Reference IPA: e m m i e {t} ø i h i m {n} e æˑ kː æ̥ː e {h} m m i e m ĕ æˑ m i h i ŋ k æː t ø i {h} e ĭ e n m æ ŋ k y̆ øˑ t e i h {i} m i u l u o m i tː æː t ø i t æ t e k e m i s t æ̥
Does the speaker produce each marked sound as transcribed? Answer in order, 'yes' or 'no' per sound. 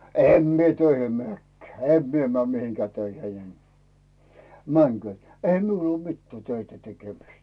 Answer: yes, no, no, yes, no

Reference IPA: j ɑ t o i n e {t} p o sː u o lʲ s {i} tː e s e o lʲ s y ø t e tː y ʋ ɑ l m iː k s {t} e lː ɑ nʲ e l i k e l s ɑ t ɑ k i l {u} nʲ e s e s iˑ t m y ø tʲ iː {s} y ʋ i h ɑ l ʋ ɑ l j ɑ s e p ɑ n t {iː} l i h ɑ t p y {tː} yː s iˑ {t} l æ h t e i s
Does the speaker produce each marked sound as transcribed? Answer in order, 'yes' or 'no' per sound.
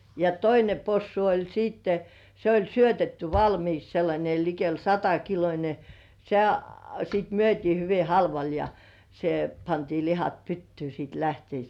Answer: no, no, no, no, no, yes, yes, yes

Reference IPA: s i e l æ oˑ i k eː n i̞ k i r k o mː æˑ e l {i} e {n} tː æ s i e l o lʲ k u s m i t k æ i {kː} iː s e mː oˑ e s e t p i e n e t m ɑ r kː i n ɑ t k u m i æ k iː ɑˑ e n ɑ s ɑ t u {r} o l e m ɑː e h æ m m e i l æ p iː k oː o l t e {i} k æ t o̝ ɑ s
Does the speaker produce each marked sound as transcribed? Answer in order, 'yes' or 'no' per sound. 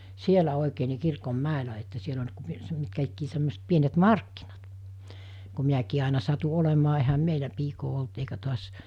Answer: no, no, yes, no, yes

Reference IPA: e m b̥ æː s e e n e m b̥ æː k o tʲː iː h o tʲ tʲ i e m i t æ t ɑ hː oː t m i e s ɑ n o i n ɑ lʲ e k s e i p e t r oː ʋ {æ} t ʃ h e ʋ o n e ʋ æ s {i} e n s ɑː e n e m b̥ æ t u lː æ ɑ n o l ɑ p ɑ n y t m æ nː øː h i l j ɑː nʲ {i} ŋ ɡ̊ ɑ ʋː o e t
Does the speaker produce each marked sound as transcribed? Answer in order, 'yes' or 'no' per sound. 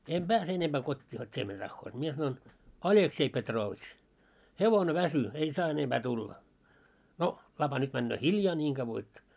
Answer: no, no, no

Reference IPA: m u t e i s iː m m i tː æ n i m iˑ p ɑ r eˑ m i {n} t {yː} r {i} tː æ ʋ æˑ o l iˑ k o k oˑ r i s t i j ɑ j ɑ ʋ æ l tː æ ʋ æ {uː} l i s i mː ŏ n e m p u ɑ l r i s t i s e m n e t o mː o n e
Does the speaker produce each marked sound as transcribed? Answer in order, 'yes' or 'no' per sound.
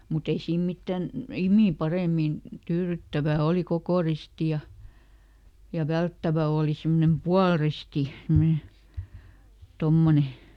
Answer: yes, yes, no, no

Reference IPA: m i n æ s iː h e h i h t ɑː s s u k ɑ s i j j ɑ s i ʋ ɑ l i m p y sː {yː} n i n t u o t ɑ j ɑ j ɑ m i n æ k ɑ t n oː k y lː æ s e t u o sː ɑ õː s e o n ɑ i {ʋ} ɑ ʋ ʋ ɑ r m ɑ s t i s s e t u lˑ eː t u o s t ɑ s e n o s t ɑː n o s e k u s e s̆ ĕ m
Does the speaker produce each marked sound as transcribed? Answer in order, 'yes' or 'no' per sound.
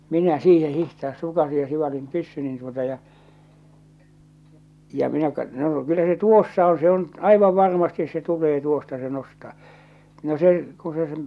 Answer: no, yes

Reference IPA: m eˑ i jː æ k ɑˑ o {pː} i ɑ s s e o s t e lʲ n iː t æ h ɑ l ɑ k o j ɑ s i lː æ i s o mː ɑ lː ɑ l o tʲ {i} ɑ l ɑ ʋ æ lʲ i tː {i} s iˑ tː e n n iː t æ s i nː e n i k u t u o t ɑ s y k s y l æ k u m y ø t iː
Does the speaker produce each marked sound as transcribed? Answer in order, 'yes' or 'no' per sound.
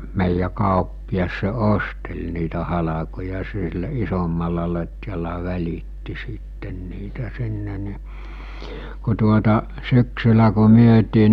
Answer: yes, no, yes

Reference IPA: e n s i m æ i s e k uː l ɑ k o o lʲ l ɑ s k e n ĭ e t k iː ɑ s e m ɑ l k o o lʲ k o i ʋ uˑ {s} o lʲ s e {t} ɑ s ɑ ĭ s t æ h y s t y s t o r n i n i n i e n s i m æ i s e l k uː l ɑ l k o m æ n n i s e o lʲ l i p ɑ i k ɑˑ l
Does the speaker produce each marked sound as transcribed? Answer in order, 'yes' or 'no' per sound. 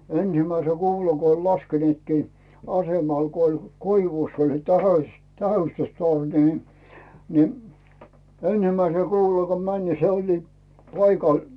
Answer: no, yes

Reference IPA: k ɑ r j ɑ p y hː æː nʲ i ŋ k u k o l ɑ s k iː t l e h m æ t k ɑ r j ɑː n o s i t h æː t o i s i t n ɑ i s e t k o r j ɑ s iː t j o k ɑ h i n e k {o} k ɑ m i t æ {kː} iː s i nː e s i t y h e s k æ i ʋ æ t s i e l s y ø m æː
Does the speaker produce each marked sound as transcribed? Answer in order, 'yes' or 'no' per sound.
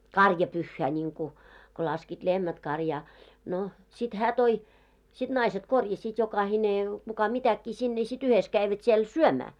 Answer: no, yes

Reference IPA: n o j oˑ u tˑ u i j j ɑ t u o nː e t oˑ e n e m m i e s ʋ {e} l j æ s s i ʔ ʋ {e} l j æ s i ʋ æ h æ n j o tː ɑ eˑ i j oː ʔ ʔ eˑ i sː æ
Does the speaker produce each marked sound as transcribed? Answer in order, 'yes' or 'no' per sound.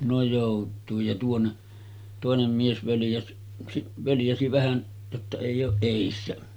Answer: no, no

